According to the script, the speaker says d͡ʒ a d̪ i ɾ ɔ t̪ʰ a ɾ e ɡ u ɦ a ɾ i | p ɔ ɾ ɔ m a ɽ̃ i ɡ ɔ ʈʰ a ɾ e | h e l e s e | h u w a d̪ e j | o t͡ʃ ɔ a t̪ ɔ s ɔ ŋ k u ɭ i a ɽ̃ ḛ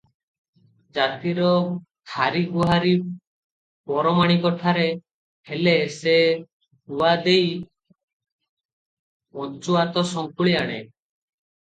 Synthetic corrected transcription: d͡ʒ a t̪ i ɾ ɔ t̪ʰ a ɾ i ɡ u ɦ a ɾ i | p ɔ ɾ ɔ m a ɽ̃ i k ɔ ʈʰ a ɾ e | h e l e s e | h u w a d̪ e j | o t͡ʃ u a t̪ ɔ s ɔ ŋ k u ɭ i a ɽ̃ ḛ